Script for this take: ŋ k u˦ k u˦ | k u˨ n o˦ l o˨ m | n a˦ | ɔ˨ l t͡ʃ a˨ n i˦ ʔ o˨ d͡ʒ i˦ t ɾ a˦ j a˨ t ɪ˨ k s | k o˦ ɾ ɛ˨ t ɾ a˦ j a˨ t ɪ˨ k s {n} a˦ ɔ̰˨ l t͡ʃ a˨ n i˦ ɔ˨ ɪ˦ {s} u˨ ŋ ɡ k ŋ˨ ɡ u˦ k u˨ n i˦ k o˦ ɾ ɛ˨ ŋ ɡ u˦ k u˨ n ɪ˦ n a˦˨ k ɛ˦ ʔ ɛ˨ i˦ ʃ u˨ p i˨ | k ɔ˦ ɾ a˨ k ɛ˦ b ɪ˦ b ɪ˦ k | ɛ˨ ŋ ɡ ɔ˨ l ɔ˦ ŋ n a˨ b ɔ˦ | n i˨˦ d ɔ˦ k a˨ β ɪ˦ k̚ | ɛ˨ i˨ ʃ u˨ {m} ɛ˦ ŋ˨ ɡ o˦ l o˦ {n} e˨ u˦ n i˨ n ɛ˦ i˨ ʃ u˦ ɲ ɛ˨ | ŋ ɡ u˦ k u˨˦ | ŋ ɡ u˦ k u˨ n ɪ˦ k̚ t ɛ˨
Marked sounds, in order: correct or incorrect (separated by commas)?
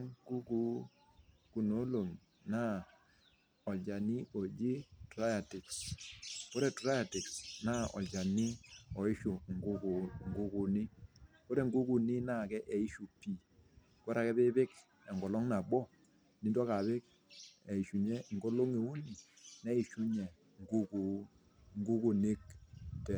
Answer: correct, incorrect, incorrect, incorrect